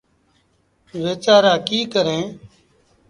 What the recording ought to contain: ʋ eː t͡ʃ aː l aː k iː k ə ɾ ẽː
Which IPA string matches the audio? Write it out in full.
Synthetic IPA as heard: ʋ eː t͡ʃ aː ɾ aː k iː k ə ɾ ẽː

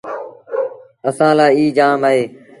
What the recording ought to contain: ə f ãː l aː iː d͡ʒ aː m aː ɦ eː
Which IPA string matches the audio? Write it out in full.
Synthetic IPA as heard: ə s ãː l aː iː d͡ʒ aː m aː ɦ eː

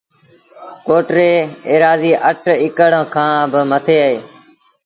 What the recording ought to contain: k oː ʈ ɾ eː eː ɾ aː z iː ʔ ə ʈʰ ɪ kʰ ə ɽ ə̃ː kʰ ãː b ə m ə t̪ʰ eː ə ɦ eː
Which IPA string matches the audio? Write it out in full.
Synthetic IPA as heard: k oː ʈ ɾ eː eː ɾ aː z iː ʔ ə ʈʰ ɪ k ə ɽ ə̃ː kʰ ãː b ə m ə t̪ʰ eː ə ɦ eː

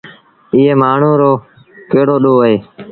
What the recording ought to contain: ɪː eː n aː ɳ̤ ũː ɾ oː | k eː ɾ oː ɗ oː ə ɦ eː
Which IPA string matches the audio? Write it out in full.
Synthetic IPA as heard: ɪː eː m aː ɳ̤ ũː ɾ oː | k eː ɽ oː ɗ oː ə ɦ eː

